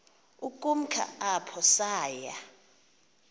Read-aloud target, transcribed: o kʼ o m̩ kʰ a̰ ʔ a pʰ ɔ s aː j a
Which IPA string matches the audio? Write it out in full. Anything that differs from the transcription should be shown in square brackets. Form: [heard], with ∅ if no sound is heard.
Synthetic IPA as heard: [u] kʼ [u] m̩ kʰ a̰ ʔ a pʰ ɔ s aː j a